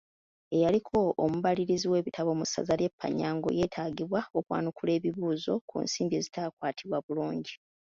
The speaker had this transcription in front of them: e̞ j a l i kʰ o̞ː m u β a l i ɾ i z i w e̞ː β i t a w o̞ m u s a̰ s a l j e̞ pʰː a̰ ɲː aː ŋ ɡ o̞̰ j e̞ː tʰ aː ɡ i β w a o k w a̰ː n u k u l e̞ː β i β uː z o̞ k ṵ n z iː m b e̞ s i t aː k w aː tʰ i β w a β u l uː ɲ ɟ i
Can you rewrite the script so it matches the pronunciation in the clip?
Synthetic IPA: e̞ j a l i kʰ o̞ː m u β a l i ɾ i z i w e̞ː β i t a β o̞ m u s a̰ z a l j e̞ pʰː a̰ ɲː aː ŋ ɡ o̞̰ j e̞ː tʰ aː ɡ i β w a o k w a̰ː n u k u l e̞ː β i β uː z o̞ k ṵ n s iː m b e̞ z i t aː k w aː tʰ i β w a β u l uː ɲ ɟ i